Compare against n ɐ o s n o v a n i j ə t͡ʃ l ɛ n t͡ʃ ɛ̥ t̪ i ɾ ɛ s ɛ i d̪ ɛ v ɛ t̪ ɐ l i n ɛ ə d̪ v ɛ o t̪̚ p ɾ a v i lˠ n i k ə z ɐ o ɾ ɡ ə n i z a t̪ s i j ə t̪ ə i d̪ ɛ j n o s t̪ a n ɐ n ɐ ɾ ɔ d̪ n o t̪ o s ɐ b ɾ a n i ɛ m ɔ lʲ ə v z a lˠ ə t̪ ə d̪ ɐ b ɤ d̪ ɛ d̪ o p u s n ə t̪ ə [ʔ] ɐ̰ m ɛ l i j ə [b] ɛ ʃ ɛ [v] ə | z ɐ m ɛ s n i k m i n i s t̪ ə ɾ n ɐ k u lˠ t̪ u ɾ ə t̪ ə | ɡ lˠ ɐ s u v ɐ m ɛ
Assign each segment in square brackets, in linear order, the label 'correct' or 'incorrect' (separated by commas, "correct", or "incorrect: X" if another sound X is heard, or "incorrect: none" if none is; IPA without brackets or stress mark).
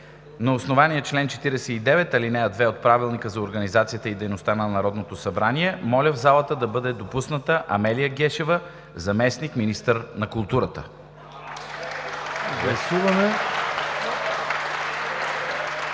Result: correct, incorrect: ɡ, correct